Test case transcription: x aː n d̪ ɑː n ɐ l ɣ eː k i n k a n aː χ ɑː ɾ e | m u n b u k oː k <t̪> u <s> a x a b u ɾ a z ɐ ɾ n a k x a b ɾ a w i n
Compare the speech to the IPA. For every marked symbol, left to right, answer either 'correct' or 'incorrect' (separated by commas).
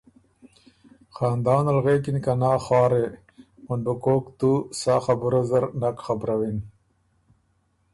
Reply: correct, correct